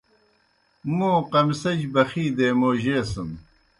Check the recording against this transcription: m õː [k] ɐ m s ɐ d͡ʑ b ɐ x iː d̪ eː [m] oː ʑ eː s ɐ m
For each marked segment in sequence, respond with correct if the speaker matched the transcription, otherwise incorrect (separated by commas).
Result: incorrect, correct